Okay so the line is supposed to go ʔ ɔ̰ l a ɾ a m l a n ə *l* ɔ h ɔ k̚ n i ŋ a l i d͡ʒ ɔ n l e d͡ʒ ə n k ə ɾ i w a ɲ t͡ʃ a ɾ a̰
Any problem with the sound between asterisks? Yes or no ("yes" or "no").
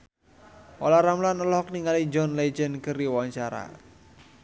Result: no